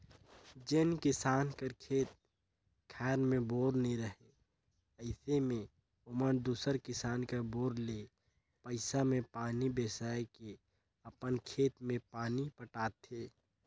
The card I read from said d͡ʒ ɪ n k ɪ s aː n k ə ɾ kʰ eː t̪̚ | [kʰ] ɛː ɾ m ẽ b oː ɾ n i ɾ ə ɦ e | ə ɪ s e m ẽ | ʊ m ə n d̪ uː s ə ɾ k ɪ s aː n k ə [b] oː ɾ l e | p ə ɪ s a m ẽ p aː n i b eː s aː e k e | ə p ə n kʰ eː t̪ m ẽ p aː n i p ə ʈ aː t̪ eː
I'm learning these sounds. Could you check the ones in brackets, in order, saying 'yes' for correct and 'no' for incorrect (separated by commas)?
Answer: yes, yes